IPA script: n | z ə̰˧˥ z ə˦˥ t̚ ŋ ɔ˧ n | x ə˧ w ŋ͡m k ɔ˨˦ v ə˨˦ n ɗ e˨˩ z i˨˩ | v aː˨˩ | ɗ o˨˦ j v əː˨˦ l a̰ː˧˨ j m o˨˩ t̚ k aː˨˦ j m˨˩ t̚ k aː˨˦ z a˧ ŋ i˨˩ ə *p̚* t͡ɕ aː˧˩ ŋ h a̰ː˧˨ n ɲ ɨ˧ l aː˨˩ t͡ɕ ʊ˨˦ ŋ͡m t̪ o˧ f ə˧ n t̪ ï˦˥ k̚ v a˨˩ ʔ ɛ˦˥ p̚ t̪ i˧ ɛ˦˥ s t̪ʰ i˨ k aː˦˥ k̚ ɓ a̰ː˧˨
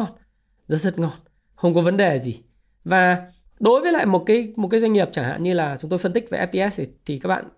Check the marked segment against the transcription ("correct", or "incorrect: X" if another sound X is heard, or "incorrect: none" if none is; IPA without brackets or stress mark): correct